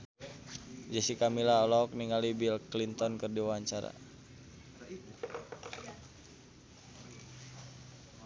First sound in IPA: d͡ʒ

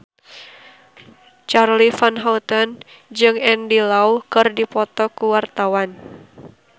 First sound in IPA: t͡ʃ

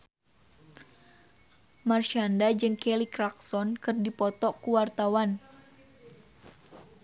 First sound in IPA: m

